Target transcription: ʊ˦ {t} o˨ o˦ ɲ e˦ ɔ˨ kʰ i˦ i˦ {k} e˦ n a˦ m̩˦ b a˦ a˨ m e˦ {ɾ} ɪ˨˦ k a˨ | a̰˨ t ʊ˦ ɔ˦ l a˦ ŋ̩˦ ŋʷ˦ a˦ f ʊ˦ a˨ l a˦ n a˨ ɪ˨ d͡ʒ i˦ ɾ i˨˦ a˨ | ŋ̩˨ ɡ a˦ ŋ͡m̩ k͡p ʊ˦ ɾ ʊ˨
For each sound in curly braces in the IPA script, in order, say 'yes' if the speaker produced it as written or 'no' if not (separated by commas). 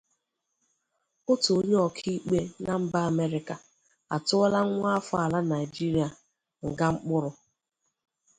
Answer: yes, no, yes